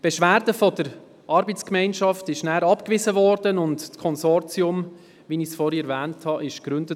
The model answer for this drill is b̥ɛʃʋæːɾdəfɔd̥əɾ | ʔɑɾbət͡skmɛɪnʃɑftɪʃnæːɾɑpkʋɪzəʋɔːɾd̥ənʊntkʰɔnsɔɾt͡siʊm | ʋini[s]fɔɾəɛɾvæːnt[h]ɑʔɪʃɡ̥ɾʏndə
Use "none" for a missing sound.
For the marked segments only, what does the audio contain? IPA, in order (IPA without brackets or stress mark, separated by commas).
s, h